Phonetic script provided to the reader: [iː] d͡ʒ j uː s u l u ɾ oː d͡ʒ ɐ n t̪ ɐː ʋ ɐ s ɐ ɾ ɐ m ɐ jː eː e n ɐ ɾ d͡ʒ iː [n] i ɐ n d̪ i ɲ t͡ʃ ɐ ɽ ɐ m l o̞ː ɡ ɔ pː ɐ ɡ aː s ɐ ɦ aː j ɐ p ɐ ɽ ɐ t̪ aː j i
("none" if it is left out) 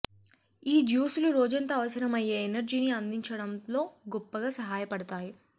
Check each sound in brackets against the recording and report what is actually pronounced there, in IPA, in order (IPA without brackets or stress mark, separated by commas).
iː, n